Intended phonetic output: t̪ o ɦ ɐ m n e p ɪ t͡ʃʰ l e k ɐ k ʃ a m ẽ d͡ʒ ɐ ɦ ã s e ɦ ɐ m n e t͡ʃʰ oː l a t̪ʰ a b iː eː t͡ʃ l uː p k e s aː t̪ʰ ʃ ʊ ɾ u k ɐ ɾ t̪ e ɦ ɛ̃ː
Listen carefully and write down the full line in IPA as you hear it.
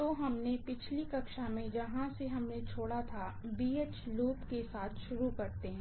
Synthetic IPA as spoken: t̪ o ɦ ɐ m n e p ɪ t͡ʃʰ l i k ɐ k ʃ a m ẽ d͡ʒ ɐ ɦ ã s e ɦ ɐ m n e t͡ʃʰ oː ɽ a t̪ʰ a b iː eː t͡ʃ l uː p k e s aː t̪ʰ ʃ ʊ ɾ u k ɐ ɾ t̪ e ɦ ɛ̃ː